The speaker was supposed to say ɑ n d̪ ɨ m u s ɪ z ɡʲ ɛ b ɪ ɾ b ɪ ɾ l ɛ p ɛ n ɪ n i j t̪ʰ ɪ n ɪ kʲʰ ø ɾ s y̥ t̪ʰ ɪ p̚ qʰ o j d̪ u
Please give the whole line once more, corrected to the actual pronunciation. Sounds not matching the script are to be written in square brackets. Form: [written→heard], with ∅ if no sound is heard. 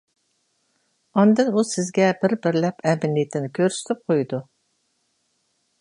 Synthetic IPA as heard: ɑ n d̪ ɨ [m→n] u s ɪ z ɡʲ ɛ b ɪ ɾ b ɪ ɾ l ɛ p ɛ [n→m] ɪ n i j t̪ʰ ɪ n ɪ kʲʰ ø ɾ s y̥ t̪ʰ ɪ p̚ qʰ o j d̪ u